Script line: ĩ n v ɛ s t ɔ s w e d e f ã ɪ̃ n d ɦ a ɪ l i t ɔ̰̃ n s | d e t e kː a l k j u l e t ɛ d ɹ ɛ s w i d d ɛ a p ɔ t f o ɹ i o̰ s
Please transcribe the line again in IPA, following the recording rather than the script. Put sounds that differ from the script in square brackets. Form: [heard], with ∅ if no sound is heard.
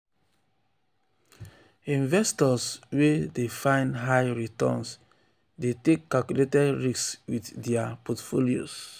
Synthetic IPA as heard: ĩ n v ɛ s t ɔ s w e d e f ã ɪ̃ n d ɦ a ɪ [ɹ] i t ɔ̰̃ n s | d e t e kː a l k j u l e t ɛ d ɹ [i] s w i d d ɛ a p ɔ t f o [l] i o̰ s